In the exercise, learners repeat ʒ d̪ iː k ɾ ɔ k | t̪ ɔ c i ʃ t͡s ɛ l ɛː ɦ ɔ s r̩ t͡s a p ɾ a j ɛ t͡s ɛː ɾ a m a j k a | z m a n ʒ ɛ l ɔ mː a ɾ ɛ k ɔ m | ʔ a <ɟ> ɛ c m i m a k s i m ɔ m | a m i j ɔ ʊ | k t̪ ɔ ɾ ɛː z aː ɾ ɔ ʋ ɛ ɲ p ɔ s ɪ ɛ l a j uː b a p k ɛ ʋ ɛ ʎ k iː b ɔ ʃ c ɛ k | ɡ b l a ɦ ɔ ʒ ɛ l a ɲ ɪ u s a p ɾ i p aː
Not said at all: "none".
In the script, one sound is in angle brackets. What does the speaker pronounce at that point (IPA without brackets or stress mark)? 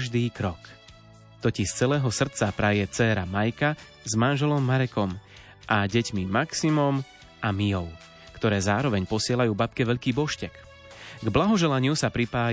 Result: ɟ